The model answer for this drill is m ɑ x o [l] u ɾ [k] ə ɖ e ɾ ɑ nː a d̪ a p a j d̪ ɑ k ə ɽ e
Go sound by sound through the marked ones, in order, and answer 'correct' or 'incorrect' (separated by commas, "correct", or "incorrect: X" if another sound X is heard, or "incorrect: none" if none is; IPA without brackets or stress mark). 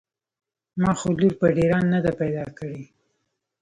correct, incorrect: p